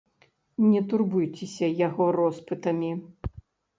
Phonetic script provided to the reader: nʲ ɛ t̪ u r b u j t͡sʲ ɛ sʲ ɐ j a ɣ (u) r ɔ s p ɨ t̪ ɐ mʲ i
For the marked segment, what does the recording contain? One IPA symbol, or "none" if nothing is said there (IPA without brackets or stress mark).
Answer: ɔ